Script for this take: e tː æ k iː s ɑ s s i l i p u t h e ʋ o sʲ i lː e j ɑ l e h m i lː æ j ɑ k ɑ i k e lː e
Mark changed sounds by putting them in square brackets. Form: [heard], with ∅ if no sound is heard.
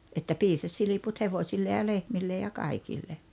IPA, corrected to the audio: e tː æ [p] iː s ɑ s s i l i p u t h e ʋ o sʲ i lː e j ɑ l e h m i lː [e] j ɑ k ɑ i k [i] lː e